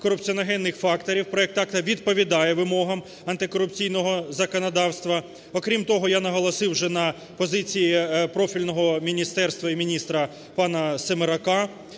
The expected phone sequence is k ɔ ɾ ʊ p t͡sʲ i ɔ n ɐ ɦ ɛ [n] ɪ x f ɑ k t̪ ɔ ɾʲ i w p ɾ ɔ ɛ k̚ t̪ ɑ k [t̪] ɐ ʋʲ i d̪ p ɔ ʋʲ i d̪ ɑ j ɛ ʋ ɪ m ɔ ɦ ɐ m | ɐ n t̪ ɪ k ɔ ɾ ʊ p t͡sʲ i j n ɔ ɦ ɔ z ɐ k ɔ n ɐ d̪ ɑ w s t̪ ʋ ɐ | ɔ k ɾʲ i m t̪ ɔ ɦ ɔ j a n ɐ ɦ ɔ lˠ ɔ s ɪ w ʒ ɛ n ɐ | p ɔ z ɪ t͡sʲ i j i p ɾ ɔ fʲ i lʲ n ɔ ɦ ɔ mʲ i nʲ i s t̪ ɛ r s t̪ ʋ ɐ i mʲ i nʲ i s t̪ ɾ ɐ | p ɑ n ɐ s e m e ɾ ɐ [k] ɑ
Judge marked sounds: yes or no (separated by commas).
no, yes, yes